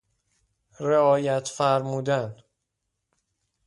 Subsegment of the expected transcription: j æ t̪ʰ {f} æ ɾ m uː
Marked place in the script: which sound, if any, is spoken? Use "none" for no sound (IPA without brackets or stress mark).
f